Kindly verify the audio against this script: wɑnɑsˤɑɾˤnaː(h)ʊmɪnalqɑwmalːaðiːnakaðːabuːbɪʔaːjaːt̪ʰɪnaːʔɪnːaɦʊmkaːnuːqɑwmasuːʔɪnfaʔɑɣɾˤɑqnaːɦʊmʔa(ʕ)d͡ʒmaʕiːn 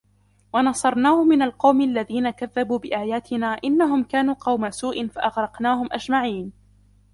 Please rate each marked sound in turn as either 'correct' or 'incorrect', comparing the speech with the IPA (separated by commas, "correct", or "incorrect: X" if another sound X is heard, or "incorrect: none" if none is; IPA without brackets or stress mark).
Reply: correct, incorrect: none